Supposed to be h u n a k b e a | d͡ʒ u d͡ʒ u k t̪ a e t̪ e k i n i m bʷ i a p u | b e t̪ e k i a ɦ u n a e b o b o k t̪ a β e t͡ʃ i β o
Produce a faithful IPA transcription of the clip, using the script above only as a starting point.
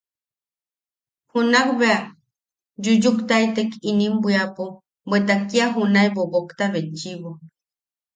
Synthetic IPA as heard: h u n a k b e a | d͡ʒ u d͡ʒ u k t̪ a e t̪ e k i n i m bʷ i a p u | b e t̪ a k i a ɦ u n a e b o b o k t̪ a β e t͡ʃ i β o